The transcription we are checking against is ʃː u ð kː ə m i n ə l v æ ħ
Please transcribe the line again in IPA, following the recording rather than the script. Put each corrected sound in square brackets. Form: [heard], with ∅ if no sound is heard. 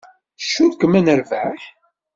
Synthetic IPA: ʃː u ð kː ə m [æ] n ə [ɾ] v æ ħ